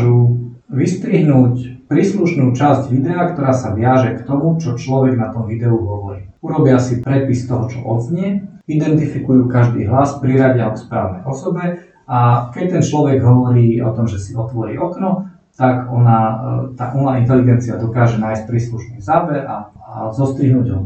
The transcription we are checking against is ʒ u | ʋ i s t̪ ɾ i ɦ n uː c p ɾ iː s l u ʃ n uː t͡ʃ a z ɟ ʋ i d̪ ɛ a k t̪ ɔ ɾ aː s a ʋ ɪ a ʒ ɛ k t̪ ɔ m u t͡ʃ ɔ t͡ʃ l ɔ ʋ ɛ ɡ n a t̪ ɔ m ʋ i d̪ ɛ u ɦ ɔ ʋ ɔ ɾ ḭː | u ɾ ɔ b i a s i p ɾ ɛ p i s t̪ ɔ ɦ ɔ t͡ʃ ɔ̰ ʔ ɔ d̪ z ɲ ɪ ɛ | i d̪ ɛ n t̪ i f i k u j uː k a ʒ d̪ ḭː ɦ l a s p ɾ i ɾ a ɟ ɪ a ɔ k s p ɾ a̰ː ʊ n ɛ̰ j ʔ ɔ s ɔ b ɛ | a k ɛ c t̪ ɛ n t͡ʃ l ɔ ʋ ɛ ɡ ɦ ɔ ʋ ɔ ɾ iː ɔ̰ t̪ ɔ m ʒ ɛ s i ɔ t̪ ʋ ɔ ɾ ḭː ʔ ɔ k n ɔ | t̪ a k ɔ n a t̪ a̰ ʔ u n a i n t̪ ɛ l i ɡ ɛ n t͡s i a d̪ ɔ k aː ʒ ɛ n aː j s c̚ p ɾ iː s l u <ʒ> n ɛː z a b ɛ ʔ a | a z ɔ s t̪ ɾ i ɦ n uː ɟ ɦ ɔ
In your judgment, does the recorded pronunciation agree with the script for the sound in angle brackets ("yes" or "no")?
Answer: no